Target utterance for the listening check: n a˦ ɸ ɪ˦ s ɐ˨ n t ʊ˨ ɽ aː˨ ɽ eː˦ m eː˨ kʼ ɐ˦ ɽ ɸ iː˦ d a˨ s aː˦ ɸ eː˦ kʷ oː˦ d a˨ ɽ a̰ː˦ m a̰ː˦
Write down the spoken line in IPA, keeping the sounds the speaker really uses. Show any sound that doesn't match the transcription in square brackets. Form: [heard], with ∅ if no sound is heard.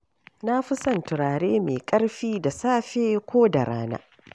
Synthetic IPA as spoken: n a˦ ɸ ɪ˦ s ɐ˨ n t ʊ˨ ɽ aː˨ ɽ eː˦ m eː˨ kʼ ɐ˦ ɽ ɸ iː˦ d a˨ s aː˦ ɸ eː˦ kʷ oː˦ d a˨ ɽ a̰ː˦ [n] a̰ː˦